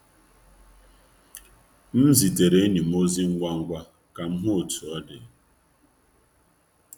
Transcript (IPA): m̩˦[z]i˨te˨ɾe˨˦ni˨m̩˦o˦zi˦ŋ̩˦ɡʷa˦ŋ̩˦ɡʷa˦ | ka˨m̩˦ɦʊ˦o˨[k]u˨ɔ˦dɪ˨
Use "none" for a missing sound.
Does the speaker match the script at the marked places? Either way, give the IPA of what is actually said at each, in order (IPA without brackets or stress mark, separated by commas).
z, t